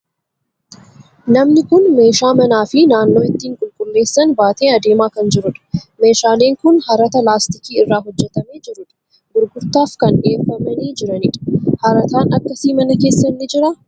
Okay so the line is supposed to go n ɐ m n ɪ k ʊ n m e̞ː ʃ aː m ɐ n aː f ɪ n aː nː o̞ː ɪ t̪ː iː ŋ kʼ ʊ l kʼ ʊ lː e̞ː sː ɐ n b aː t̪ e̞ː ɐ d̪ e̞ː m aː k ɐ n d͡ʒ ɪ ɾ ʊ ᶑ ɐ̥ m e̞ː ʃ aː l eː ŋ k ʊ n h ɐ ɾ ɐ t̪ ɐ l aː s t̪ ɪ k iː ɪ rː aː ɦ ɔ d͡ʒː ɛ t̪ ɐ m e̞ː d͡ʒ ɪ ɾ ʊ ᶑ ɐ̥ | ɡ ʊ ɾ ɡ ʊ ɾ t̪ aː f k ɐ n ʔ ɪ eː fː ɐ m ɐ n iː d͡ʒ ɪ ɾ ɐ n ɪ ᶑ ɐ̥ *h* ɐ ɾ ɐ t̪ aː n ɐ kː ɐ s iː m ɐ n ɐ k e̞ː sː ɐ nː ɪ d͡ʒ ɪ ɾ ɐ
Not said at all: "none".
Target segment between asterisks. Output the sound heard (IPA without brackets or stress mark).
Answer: h